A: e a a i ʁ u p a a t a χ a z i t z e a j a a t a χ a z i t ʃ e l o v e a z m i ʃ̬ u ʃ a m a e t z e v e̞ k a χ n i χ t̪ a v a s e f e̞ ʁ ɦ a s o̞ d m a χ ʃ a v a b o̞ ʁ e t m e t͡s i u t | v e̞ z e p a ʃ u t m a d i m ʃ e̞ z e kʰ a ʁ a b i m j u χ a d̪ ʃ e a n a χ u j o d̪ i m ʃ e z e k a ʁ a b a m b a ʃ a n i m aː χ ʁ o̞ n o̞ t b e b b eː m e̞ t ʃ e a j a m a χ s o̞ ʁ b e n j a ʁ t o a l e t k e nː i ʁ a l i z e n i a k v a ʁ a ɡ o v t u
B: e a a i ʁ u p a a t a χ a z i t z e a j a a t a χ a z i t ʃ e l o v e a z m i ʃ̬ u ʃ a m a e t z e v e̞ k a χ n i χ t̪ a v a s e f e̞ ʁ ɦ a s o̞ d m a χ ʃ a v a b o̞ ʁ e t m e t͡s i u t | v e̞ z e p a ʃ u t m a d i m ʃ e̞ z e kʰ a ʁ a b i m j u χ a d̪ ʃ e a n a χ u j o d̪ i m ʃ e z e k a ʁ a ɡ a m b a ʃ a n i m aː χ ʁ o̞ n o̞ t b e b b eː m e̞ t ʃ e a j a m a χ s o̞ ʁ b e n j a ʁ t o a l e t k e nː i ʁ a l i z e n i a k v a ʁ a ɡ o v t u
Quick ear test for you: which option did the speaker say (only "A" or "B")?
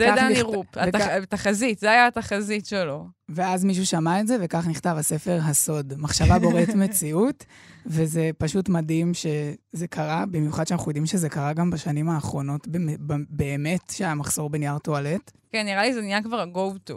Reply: B